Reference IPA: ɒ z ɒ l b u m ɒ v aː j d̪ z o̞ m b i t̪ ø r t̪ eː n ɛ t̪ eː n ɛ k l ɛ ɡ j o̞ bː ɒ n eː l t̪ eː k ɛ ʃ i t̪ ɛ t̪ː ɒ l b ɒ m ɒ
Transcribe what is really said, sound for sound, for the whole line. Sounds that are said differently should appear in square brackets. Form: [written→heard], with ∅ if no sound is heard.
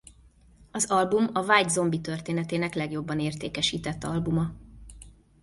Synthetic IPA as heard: ɒ z ɒ l b u m ɒ v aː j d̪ z o̞ m b i t̪ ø r t̪ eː n ɛ t̪ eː n ɛ k l ɛ ɡ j o̞ bː ɒ n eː [l→r] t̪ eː k ɛ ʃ [i→iː] t̪ ɛ t̪ː ɒ l b [ɒ→u] m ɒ